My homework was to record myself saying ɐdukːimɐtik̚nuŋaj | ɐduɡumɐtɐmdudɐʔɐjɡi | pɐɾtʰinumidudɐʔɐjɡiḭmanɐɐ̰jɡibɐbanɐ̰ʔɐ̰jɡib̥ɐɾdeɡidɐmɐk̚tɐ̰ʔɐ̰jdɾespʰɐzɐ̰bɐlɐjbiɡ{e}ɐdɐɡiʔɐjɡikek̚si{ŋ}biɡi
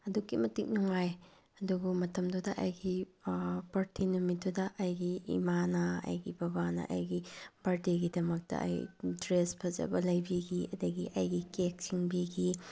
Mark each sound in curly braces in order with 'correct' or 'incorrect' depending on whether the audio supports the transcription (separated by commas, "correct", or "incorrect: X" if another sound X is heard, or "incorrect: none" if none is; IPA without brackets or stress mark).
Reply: incorrect: i, correct